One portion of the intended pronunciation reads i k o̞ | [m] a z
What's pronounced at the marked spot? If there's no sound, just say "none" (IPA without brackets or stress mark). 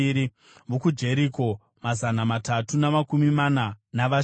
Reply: m